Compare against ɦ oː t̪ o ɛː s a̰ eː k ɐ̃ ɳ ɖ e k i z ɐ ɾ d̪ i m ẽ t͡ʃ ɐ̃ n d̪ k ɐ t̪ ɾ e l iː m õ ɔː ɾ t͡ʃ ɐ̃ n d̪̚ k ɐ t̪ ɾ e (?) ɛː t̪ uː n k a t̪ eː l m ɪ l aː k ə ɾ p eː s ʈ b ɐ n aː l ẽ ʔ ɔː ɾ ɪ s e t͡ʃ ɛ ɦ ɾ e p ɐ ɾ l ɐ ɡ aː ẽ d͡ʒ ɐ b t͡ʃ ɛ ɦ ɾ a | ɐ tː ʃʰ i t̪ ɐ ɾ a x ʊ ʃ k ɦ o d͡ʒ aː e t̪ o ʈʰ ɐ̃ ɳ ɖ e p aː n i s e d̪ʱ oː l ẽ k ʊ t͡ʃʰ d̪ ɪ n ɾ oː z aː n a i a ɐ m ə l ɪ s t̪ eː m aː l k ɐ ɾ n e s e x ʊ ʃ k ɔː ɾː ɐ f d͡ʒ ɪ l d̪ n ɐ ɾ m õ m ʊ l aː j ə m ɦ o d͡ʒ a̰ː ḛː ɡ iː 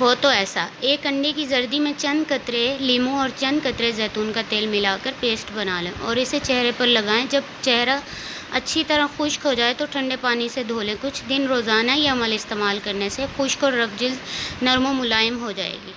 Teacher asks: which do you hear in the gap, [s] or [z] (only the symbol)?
z